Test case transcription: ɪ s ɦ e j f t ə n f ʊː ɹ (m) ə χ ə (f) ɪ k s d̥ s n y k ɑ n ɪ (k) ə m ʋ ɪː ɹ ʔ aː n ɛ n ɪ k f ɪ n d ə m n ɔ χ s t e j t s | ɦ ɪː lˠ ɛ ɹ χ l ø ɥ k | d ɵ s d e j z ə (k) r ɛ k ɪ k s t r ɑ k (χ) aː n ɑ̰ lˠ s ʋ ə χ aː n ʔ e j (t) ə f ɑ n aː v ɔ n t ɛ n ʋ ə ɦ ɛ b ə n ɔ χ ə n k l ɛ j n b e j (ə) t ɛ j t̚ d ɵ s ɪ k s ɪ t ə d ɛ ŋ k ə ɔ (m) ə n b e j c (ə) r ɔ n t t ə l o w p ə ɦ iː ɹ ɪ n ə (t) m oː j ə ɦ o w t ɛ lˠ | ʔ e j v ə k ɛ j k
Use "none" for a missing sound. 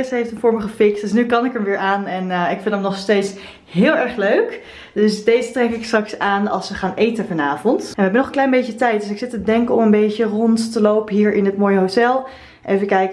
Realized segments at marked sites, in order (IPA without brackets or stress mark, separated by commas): m, f, k, t, s, t, ə, m, ə, t